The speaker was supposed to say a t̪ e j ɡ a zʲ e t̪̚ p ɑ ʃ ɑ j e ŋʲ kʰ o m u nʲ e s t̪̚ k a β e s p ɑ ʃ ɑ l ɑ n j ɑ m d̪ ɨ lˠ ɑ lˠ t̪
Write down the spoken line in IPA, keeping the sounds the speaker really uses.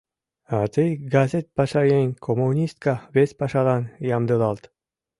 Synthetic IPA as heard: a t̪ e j ɡ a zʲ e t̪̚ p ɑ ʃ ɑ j e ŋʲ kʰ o m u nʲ i s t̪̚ k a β e s p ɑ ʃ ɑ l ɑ n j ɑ m d̪ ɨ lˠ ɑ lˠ t̪